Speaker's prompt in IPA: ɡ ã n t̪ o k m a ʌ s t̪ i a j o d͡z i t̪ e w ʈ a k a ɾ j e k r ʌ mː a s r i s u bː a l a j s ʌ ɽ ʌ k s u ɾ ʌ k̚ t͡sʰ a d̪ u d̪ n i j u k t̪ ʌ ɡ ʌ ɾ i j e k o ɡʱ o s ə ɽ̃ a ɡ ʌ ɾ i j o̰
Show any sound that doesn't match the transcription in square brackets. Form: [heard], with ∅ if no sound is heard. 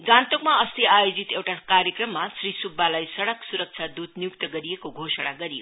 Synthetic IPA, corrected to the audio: ɡ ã n t̪ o k m a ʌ s t̪ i a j o d͡z i t̪ e w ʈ a k a ɾ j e k r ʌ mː a s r i s u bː a l a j s ʌ ɽ ʌ k s u ɾ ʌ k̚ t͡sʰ a d̪ u d̪ n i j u k t̪ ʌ ɡ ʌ ɾ i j e k o ɡʱ o s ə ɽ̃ a ɡ ʌ ɾ i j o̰